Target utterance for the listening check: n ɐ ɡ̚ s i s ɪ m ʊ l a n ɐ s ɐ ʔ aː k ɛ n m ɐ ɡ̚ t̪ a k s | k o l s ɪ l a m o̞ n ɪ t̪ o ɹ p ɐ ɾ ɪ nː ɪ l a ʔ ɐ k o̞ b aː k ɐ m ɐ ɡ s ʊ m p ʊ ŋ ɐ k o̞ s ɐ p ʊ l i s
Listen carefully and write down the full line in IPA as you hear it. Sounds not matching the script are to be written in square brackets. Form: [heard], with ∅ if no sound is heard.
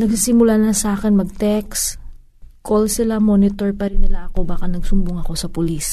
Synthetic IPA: n ɐ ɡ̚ s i s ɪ m ʊ l a n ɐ s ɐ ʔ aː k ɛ n m ɐ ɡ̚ t̪ [ɛ] k s | k o l s ɪ l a m o̞ n ɪ t̪ o ɹ p ɐ ɾ ɪ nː ɪ l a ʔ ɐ k o̞ b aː k ɐ [n] ɐ ɡ s ʊ m [b] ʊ ŋ ɐ k o̞ s ɐ p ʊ l i s